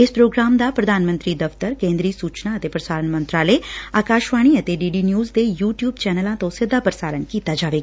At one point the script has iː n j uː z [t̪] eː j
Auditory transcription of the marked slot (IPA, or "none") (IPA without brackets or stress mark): d̪